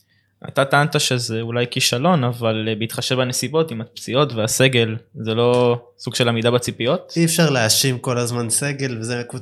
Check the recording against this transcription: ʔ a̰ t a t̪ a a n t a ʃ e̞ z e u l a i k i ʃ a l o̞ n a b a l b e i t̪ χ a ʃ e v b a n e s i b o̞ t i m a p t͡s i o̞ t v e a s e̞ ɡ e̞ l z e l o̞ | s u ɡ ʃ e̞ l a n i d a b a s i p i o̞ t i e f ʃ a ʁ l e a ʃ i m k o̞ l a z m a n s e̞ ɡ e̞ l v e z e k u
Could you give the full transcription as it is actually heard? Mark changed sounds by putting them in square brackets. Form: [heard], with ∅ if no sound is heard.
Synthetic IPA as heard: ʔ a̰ t a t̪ a a n t a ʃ e̞ z e u l a [j] k i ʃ a l o̞ n a [v] a l b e i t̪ χ a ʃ e v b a n e s i b o̞ t i m a p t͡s i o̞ t v e a s e̞ ɡ e̞ l z e l o̞ | s u ɡ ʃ e̞ l a [m] i d a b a [t͡s] i p i o̞ t i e f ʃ a ʁ l e a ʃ i m k o̞ l a z m a n s e̞ ɡ e̞ l v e z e k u